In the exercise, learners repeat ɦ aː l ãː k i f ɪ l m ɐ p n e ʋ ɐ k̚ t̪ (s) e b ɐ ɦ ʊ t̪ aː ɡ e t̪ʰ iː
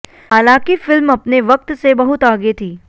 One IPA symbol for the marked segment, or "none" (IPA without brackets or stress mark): s